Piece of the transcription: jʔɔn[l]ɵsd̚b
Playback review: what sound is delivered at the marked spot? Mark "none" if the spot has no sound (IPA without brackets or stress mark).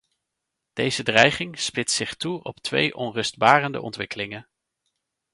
r